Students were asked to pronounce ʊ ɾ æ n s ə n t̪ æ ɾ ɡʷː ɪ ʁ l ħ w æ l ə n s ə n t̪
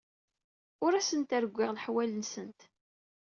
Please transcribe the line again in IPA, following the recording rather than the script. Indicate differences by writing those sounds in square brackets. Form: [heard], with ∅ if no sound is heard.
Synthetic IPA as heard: ʊ ɾ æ [∅] s ə n t̪ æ ɾ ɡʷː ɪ ʁ l ħ w æ l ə n s ə n t̪